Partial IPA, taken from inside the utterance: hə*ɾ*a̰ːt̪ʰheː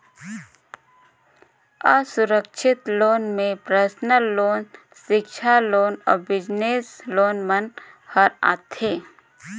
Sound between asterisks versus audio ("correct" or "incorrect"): correct